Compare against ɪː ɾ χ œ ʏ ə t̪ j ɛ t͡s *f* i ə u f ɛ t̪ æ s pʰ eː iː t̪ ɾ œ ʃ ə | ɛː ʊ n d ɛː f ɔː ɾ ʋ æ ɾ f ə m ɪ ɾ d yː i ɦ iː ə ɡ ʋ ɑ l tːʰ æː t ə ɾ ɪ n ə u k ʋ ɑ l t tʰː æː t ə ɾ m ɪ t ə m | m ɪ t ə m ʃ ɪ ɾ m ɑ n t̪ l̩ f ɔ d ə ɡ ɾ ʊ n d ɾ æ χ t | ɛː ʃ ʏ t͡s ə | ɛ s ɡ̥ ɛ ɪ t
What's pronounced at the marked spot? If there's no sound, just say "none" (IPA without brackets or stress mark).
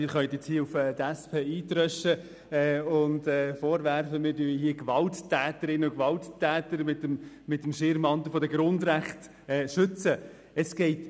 h